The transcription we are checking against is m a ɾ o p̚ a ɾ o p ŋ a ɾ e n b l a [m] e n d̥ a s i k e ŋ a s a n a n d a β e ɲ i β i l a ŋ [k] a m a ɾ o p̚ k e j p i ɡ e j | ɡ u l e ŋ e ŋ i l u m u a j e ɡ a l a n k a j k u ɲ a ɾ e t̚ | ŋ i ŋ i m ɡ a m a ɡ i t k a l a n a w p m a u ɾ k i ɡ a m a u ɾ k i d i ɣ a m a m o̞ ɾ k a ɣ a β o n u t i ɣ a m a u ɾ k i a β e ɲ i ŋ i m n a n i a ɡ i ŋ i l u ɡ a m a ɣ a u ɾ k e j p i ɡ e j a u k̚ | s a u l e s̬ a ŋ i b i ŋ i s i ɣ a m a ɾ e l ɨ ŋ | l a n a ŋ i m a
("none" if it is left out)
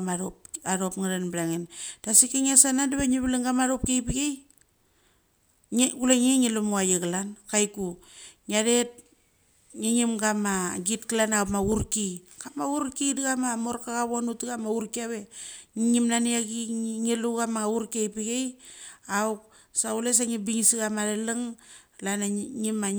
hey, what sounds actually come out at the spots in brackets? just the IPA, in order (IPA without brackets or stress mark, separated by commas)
ŋ, ɡ